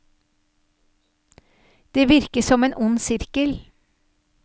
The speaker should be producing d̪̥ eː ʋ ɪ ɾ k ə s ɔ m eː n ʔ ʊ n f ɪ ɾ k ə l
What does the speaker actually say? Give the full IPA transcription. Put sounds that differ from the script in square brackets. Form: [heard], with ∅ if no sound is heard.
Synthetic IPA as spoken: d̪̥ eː ʋ ɪ ɾ k ə s ɔ m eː n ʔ ʊ n [s] ɪ ɾ k ə l